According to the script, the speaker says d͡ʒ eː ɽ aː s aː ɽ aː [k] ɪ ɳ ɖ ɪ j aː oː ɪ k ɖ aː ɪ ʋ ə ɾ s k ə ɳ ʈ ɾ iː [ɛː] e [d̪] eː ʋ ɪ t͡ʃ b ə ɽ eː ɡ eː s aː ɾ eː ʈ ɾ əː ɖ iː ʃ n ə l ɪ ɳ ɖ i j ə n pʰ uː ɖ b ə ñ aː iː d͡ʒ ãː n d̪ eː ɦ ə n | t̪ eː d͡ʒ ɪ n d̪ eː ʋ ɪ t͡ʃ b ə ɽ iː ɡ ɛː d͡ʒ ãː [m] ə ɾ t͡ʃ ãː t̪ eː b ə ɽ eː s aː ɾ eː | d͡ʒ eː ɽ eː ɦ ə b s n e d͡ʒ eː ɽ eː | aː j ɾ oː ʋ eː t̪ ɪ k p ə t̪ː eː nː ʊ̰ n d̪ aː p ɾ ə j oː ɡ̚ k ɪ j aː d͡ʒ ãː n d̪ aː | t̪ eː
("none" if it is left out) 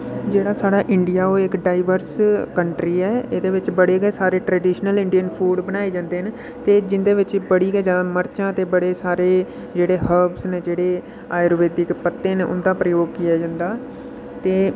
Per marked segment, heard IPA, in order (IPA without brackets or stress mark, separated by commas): ʔ, ɛː, d̪, m